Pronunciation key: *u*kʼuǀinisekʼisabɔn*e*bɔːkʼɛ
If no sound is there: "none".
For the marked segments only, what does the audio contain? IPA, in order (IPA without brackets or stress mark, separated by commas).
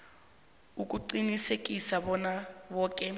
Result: u, a